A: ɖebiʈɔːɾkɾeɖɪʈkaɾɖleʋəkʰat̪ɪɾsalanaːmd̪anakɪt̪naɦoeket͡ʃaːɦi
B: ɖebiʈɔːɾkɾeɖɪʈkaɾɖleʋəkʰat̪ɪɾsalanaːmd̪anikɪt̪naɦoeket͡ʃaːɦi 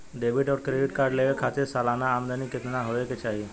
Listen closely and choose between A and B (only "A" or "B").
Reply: B